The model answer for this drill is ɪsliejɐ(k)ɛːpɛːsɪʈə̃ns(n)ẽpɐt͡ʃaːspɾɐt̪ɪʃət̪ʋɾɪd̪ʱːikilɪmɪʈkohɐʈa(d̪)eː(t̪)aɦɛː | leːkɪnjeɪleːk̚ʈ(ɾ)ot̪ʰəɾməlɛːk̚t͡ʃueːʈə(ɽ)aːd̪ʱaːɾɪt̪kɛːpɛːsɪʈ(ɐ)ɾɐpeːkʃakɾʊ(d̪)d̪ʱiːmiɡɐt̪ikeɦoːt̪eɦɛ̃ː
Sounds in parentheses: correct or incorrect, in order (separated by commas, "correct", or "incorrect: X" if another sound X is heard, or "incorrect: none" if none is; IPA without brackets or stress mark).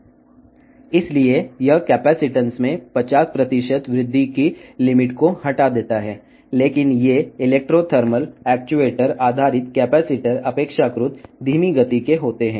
correct, incorrect: m, correct, correct, correct, incorrect: ɾ, incorrect: ə, incorrect: t̪